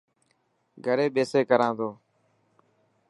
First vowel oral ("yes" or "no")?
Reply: yes